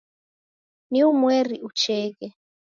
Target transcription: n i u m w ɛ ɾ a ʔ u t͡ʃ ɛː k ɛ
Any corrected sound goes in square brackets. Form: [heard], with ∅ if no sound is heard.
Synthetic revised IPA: n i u m w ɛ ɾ [i] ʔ u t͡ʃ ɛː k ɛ